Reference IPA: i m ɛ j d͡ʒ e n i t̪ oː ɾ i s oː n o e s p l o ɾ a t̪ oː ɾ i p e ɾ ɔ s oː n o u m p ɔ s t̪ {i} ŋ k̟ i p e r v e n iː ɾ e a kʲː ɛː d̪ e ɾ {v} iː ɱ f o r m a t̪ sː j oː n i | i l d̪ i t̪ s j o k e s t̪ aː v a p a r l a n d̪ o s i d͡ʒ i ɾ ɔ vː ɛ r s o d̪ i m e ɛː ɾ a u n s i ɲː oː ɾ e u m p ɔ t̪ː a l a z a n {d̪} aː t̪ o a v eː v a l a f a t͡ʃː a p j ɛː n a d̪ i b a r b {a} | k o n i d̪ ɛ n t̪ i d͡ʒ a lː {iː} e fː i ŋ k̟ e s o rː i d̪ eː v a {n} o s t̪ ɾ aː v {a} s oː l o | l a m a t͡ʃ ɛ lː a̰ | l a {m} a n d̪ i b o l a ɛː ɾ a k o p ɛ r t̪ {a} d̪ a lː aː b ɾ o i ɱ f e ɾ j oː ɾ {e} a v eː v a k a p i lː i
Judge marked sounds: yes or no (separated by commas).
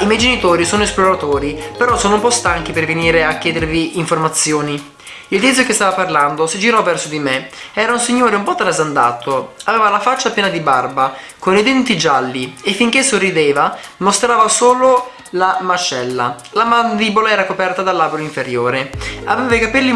no, yes, yes, yes, no, no, yes, yes, yes, yes